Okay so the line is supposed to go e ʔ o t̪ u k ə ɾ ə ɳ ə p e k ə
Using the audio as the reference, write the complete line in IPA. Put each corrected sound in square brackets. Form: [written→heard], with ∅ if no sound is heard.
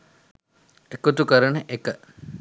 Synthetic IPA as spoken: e [ʔ→k] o t̪ u k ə ɾ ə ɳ ə [p→ʔ] e k ə